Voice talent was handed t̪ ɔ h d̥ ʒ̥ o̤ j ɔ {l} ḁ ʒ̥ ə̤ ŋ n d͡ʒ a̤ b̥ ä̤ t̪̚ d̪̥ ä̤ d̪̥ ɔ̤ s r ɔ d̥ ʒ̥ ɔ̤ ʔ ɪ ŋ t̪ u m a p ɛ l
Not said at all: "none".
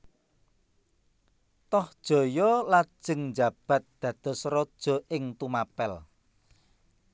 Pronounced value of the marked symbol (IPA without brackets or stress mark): l